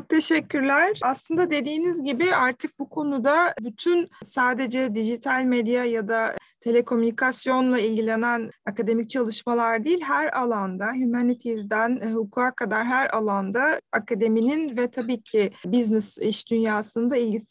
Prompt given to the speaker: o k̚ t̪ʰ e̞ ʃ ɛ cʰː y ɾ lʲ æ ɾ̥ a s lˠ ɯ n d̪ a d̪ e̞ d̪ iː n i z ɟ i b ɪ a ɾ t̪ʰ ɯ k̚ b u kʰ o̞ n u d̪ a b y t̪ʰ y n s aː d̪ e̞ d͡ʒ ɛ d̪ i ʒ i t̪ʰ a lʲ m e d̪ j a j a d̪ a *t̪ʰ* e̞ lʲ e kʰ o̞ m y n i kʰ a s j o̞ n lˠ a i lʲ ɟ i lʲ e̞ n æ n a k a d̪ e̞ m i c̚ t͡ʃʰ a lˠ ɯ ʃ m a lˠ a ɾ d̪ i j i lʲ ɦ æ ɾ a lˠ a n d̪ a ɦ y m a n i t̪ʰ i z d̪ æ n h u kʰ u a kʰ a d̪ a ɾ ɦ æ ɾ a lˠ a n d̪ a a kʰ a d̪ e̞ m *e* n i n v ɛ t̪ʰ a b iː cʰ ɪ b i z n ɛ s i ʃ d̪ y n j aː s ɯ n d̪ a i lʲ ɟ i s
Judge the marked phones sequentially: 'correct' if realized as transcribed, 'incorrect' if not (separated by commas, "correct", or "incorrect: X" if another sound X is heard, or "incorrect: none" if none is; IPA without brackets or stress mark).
correct, incorrect: i